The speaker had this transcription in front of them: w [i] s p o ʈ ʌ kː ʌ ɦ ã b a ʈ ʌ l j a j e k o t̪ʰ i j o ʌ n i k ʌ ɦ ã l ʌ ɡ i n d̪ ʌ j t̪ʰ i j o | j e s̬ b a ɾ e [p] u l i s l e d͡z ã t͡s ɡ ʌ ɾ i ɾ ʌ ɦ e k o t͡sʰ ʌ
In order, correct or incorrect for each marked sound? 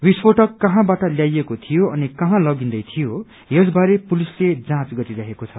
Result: correct, correct

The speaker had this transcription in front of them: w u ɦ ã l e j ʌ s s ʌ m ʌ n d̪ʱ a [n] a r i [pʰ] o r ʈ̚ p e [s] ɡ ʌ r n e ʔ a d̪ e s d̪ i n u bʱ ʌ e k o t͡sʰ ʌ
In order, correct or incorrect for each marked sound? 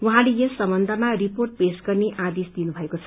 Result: incorrect: m, incorrect: p, correct

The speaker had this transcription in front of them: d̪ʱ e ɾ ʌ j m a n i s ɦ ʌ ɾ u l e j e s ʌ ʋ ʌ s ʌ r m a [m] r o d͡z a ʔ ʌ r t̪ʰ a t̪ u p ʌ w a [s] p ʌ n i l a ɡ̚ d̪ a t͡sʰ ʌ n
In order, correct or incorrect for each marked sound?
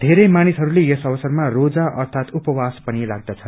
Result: incorrect: none, correct

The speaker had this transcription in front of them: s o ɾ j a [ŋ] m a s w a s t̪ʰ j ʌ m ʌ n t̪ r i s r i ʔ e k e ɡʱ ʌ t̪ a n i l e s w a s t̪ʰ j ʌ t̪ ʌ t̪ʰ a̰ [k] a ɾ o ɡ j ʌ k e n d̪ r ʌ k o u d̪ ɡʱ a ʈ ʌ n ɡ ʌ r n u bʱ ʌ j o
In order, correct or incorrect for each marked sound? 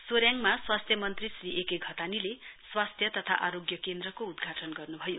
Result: correct, incorrect: ʔ

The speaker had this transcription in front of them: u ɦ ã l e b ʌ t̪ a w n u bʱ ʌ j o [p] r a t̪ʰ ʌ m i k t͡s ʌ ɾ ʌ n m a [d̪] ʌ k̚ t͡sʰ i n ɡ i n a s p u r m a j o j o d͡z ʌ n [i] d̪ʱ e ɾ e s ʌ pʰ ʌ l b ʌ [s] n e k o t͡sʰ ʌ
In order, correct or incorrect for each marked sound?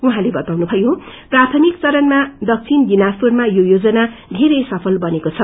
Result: correct, correct, incorrect: a, incorrect: none

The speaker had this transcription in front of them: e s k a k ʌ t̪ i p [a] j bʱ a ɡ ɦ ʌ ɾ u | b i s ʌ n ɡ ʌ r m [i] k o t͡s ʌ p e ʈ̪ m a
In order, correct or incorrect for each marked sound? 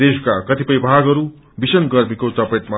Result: incorrect: ʌ, correct

